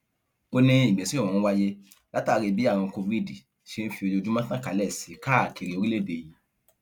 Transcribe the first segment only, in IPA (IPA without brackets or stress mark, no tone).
o